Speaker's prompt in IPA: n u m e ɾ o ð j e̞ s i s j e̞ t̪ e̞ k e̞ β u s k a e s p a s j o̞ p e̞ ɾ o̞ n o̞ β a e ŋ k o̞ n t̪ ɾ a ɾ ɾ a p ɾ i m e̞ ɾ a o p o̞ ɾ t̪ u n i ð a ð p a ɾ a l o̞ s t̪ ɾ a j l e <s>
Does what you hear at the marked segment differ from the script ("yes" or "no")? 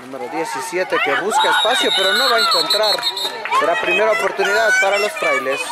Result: no